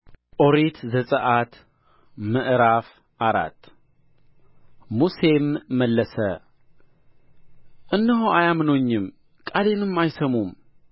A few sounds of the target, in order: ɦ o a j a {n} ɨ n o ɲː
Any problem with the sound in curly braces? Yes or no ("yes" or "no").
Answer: yes